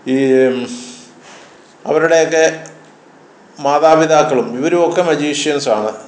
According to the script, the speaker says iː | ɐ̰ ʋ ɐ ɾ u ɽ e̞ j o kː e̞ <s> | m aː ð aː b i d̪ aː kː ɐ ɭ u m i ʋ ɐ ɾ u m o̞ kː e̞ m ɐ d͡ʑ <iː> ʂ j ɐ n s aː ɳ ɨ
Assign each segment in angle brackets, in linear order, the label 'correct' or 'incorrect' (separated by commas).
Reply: incorrect, correct